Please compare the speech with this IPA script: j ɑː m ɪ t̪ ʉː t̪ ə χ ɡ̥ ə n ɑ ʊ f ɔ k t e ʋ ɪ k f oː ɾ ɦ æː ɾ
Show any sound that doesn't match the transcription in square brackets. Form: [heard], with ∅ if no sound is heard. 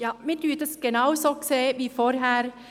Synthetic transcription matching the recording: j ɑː m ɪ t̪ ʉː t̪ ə [s] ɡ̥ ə n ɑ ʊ [s] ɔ k [s] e ʋ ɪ [∅] f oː ɾ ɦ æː ɾ